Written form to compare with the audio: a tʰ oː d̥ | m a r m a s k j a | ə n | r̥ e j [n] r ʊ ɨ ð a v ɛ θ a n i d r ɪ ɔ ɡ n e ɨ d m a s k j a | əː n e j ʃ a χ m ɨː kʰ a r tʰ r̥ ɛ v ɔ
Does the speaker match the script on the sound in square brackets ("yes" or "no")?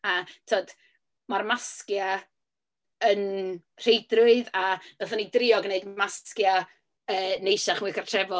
no